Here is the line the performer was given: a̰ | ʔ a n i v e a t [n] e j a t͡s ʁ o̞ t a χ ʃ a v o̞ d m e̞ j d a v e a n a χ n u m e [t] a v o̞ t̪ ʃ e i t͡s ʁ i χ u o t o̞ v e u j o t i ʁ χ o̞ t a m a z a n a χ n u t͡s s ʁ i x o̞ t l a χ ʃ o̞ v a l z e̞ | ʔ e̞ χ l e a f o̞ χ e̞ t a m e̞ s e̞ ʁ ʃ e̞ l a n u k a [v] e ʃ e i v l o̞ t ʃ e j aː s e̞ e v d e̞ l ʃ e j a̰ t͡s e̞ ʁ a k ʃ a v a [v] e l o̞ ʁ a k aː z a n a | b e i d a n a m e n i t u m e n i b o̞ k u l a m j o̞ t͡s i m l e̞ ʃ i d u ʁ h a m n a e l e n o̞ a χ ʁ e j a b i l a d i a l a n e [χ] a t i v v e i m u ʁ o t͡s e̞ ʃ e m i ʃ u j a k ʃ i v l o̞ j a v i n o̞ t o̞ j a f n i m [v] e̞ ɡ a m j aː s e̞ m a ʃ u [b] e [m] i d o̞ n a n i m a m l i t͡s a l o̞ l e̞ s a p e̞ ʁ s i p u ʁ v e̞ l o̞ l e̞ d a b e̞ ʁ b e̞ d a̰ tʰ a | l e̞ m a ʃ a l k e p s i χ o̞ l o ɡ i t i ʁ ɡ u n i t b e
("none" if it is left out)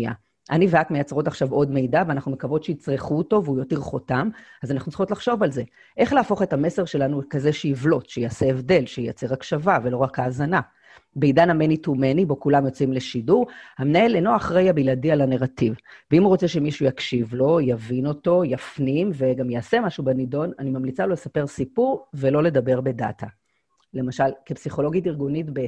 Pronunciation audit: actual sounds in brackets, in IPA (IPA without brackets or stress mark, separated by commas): m, k, z, v, ʁ, v, b, n